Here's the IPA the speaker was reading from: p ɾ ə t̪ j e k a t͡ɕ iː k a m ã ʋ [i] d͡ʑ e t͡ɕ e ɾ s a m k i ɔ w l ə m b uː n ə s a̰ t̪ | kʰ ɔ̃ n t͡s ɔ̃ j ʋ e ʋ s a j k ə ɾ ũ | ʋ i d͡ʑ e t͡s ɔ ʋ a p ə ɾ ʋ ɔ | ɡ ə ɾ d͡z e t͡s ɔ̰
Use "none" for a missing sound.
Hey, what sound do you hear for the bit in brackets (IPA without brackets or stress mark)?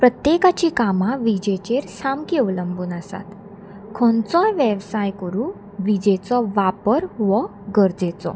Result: i